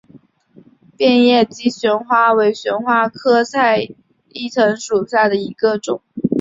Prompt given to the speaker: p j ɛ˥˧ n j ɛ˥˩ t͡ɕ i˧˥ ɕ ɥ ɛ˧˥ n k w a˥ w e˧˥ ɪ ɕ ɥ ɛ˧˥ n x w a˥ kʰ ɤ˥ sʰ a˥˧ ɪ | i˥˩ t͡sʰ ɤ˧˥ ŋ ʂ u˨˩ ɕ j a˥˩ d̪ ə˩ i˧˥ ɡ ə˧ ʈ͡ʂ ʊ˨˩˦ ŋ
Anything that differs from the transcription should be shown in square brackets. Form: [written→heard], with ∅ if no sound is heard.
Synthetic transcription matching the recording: p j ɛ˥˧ n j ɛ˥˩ t͡ɕ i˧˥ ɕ ɥ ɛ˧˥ n [k→x] w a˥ w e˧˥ ɪ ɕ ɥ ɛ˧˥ n x w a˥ kʰ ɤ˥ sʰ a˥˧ ɪ | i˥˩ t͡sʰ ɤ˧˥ ŋ ʂ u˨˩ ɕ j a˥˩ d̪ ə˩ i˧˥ ɡ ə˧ ʈ͡ʂ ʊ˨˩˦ ŋ